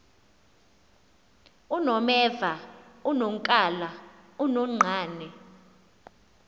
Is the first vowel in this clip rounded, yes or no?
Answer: yes